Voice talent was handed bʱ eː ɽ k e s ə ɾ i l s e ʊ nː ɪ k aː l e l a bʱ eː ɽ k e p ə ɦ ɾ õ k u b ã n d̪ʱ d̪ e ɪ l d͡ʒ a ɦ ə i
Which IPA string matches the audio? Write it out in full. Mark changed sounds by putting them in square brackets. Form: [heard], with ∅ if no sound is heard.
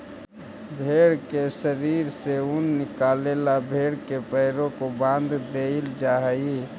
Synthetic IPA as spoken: bʱ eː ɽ k e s ə ɾ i [ɾ] s e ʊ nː ɪ k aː l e l a bʱ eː ɽ k e p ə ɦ ɾ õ k [o] b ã n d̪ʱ d̪ e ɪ l d͡ʒ a ɦ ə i